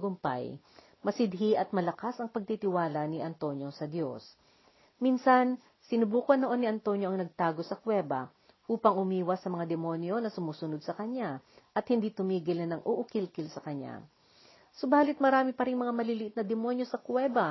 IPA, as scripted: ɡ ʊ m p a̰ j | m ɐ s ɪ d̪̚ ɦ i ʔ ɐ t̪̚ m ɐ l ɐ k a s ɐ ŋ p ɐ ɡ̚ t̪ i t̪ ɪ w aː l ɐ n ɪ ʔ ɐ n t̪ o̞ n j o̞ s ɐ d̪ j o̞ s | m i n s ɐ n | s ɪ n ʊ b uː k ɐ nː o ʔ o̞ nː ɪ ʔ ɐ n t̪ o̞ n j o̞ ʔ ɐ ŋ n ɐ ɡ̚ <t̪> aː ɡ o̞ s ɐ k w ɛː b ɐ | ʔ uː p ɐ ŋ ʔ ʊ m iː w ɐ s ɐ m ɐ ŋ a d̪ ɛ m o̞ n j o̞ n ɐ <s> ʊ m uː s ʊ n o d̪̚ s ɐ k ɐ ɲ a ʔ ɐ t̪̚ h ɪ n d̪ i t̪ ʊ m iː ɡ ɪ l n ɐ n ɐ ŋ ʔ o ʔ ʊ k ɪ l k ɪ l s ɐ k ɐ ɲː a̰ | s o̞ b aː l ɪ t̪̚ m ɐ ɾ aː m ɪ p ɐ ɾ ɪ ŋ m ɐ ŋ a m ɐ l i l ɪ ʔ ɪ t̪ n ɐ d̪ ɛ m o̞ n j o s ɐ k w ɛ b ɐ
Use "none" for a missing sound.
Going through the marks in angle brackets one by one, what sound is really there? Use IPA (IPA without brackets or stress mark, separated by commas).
t̪, s